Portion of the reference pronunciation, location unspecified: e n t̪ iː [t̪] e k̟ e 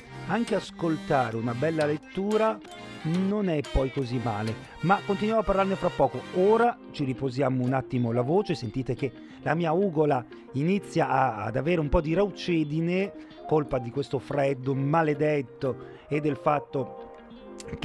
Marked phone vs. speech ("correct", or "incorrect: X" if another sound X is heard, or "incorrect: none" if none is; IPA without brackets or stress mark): correct